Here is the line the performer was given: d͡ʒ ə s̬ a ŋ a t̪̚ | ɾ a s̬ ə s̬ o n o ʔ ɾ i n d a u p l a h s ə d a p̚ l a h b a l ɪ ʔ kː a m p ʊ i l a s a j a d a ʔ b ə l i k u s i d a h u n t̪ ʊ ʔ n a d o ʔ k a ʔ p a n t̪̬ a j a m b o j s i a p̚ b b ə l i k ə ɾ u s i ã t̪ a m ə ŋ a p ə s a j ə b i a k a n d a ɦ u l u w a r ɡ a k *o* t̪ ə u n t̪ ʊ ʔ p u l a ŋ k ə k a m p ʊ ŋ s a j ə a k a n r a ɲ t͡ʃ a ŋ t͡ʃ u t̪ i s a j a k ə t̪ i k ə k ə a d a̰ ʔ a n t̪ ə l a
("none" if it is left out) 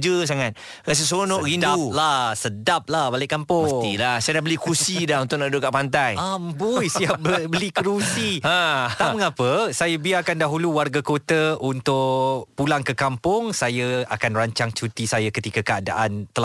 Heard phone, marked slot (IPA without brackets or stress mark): o